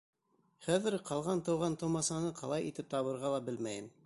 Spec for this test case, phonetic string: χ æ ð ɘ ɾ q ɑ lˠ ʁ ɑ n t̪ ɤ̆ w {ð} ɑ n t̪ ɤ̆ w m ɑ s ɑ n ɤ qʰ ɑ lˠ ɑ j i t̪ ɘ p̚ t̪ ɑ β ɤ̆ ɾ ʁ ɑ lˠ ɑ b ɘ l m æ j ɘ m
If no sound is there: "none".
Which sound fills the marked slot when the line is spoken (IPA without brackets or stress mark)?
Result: ʁ